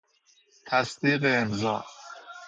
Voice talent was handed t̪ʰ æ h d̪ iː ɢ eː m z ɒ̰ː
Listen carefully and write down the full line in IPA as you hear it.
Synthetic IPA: t̪ʰ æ s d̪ iː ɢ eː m z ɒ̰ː